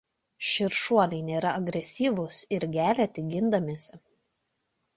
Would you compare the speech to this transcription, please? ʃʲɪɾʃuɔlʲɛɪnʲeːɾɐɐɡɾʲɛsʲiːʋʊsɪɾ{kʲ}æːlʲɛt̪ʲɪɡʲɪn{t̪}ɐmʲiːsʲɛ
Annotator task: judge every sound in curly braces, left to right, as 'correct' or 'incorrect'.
incorrect, incorrect

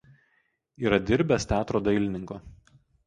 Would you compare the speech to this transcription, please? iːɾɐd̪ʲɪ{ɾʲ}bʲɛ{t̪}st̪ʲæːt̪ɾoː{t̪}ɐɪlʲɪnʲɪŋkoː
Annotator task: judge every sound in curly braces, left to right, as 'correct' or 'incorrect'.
correct, incorrect, incorrect

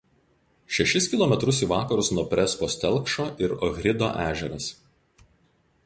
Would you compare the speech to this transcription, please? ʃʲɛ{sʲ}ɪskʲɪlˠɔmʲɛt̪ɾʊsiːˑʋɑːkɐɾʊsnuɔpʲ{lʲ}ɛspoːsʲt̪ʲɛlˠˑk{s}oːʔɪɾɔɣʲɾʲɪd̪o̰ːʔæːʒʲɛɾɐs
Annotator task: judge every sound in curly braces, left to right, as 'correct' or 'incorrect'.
incorrect, incorrect, incorrect

